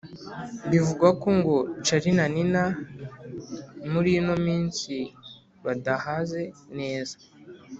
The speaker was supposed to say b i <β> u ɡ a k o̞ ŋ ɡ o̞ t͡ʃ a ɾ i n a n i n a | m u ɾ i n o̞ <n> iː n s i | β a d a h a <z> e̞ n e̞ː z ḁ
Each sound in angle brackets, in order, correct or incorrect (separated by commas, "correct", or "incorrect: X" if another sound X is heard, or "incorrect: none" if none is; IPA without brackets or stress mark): incorrect: v, incorrect: m, correct